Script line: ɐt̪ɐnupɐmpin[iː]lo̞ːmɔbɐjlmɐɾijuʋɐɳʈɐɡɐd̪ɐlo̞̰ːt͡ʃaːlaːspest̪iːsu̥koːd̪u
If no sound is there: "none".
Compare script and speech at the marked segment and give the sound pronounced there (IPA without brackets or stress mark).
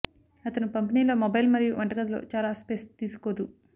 iː